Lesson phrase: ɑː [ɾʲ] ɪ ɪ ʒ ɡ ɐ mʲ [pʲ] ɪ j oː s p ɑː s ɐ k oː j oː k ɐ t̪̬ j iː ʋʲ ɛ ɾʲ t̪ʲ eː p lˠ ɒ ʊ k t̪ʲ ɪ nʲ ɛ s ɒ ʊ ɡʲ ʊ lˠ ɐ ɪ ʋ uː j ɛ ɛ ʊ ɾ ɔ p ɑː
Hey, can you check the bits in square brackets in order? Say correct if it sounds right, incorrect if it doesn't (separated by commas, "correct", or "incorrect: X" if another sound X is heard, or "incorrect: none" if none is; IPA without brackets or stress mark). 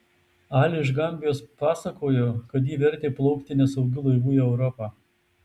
incorrect: lʲ, incorrect: bʲ